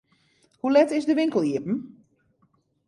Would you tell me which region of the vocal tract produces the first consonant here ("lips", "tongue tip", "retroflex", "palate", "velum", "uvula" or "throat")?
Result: throat